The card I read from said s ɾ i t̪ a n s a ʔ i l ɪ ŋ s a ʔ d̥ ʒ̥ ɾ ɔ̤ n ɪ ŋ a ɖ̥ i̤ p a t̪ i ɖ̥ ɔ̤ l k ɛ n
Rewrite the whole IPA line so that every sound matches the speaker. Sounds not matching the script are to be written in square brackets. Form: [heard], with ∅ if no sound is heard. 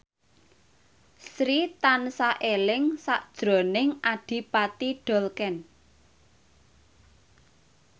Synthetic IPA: s ɾ i t̪ a n s a ʔ [e] l ɪ ŋ s a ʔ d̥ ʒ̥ ɾ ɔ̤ n ɪ ŋ a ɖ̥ i̤ p a t̪ i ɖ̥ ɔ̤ l k ɛ n

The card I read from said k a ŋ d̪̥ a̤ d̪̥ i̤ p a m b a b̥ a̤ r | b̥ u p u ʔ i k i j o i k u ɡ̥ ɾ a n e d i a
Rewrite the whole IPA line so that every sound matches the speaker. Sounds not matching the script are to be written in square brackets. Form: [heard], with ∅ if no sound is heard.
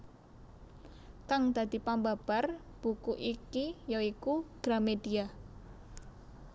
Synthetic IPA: k a ŋ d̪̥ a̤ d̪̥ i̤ p a m b a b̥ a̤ r | b̥ u [k] u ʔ i k i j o i k u ɡ̥ ɾ a [m] e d i a

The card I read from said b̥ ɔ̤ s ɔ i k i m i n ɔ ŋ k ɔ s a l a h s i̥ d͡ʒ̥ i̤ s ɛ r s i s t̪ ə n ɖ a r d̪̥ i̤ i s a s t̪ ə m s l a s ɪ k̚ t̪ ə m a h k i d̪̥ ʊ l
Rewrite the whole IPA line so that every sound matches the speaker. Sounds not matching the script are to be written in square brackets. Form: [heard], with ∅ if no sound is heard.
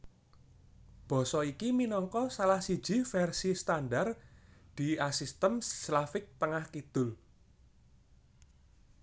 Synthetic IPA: b̥ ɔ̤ s ɔ i k i m i n ɔ ŋ k ɔ s a l a h s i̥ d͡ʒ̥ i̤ [f] ɛ r s i s t̪ [a] n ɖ a r d̪̥ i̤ [a] s [i] s t̪ ə m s l a [f] ɪ k̚ t̪ ə [ŋ] a h k i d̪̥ ʊ l

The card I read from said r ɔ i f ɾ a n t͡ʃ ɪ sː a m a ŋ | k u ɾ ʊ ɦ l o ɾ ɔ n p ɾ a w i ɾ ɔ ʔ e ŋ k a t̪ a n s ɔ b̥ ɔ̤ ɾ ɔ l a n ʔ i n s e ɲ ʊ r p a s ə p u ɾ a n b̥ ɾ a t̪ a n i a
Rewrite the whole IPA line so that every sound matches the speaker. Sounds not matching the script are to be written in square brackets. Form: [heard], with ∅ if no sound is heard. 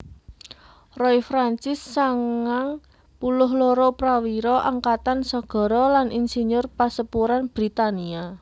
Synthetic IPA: r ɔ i f ɾ a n t͡ʃ ɪ sː a [ŋ] a ŋ | [p] u [l] ʊ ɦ l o ɾ ɔ [∅] p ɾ a w i ɾ ɔ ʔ [a] ŋ k a t̪ a n s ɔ [ɡ̥] ɔ̤ ɾ ɔ l a n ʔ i n s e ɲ ʊ r p a s ə p u ɾ a n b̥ ɾ [i] t̪ a n i a

